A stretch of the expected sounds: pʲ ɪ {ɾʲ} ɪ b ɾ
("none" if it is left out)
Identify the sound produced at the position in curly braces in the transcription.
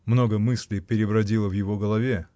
ɾʲ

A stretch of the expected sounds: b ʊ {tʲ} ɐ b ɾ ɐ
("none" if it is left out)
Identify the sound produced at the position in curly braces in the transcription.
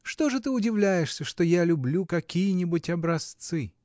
tʲ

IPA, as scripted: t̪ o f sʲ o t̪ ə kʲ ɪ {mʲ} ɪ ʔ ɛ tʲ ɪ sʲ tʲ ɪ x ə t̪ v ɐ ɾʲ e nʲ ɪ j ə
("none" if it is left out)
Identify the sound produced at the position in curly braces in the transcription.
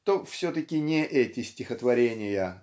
nʲ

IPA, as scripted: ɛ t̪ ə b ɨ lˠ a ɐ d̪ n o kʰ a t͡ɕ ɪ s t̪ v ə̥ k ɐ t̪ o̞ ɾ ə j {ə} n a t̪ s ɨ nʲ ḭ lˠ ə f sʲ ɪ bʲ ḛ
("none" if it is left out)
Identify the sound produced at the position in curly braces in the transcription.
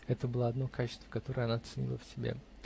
ɐ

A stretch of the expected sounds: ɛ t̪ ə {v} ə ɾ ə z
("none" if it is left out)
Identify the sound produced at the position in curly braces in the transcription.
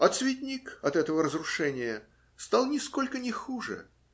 v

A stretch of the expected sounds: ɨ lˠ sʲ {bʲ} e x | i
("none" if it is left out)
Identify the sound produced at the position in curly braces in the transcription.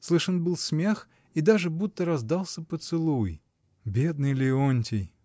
mʲ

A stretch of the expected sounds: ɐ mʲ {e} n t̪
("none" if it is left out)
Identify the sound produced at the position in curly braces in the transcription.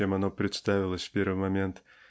e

